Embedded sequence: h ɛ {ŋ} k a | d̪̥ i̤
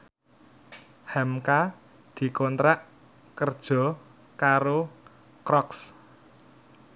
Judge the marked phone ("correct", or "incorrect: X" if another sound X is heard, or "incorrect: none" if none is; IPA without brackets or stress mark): incorrect: m